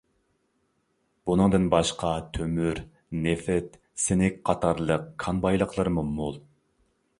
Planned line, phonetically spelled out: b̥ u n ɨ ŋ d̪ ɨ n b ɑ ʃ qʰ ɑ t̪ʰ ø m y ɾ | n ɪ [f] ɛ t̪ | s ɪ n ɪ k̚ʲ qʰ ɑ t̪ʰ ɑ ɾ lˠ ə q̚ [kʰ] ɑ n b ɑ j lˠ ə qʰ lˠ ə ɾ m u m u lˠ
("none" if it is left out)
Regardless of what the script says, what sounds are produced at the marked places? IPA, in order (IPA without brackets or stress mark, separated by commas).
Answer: f, kʰ